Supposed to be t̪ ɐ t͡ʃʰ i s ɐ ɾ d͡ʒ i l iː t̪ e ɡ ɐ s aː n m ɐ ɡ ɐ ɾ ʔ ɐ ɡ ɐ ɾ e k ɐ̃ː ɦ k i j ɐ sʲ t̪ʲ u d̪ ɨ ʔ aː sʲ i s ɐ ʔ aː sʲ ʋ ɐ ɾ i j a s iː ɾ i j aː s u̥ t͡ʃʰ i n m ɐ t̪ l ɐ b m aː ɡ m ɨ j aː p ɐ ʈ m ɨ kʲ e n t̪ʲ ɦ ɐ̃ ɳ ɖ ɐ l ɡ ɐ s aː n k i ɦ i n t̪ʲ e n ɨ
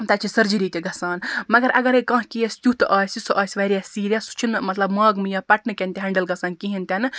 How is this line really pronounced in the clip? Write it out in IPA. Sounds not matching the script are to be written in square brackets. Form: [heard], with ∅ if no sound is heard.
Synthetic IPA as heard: t̪ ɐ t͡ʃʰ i s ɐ ɾ d͡ʒ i [ɾ] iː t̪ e ɡ ɐ s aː n m ɐ ɡ ɐ ɾ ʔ ɐ ɡ ɐ ɾ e k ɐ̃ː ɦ k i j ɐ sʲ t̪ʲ u [t̪] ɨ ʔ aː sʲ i s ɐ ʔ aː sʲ ʋ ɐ ɾ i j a s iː ɾ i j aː s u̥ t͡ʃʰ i n m ɐ t̪ l ɐ b m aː ɡ m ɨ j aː p ɐ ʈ [n] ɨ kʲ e n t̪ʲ ɦ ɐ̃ ɳ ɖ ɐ l ɡ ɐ s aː n k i ɦ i n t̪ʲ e n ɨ